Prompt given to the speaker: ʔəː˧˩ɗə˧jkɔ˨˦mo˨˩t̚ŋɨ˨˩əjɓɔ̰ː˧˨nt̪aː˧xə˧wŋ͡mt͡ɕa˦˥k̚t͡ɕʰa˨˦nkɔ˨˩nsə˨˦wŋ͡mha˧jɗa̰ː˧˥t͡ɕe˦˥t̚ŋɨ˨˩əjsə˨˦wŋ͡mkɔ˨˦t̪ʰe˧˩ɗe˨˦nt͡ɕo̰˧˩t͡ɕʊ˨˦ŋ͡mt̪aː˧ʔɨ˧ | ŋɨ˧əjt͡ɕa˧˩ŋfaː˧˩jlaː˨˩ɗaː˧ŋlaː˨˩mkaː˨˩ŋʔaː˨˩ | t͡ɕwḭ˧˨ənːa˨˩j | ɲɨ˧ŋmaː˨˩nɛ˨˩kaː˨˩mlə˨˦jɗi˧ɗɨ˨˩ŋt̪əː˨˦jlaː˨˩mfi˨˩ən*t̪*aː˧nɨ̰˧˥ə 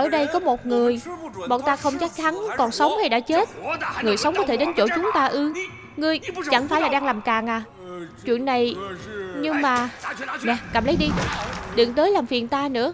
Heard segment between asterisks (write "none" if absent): t̪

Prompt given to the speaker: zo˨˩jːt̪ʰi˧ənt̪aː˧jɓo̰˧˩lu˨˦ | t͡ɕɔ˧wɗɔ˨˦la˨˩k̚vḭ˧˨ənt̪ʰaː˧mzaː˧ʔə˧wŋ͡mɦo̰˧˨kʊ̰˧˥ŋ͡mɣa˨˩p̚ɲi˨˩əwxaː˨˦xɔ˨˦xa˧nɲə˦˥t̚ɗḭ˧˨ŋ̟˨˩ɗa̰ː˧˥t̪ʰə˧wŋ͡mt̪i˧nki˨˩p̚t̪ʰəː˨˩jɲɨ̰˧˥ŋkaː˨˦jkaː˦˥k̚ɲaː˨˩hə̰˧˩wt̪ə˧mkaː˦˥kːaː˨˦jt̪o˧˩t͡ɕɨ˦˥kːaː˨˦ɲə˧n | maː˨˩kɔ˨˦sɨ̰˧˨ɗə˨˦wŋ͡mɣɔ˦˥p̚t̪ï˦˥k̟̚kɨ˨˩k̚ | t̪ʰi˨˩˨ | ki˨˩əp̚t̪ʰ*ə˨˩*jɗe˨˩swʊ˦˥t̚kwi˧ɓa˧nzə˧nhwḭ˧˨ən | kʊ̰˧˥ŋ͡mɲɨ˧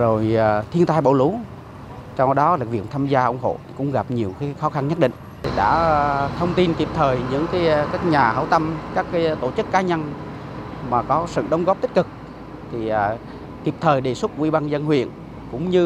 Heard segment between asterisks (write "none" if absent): əː˨˩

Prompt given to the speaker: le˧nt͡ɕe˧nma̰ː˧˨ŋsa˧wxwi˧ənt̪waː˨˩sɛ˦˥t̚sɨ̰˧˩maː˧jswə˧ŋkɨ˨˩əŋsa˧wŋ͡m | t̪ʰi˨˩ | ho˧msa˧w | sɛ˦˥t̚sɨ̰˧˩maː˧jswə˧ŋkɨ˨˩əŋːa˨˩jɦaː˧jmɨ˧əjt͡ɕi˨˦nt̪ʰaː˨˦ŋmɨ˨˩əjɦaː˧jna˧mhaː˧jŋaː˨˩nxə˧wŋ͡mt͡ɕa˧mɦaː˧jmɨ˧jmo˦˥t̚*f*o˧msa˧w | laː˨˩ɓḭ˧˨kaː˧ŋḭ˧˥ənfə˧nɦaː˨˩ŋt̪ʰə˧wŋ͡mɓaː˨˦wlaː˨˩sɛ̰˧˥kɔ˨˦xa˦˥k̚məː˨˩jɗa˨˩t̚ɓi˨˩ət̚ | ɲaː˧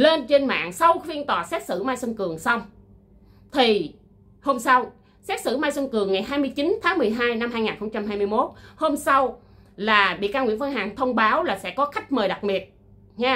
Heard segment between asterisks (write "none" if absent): h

